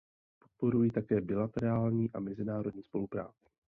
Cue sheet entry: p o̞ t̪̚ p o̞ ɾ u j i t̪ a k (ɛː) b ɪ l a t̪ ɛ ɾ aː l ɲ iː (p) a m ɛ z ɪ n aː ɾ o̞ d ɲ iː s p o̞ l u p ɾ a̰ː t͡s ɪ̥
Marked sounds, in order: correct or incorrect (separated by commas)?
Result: correct, incorrect